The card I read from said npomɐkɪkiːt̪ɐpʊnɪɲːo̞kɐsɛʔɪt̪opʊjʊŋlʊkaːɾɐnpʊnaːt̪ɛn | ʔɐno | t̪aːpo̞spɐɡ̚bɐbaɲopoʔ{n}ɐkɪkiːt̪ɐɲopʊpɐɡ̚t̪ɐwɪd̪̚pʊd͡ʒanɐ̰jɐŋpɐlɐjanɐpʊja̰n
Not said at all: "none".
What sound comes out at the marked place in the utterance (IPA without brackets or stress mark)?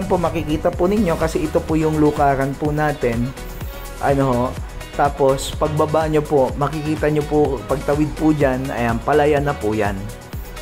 m